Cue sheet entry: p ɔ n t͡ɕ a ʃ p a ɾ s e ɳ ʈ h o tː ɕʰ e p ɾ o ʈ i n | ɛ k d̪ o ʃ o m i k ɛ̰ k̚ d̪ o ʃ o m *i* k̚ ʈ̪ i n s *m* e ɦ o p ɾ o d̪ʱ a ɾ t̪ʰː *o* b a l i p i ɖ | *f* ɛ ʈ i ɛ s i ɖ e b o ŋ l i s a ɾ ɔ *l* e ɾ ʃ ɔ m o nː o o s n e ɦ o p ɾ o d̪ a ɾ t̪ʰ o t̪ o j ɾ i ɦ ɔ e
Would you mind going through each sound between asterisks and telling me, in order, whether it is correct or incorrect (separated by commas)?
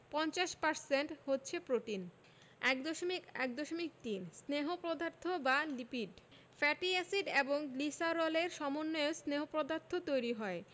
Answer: correct, incorrect, correct, correct, correct